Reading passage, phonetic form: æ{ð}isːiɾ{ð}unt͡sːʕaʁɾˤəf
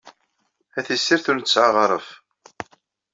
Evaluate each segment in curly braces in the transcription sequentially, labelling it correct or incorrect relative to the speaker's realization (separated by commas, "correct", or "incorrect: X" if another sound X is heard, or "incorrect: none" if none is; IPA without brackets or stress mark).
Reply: incorrect: θ, incorrect: θ